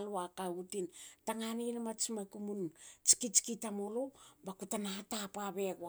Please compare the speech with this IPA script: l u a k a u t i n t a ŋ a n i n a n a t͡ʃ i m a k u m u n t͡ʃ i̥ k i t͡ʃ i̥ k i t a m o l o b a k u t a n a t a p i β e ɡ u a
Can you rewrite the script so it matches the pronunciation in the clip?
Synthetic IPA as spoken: l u a k a u t i n t a ŋ a n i n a m a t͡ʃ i m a k u m u n t͡ʃ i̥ k i t͡ʃ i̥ k i t a m o l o b a k u t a n a t a p a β e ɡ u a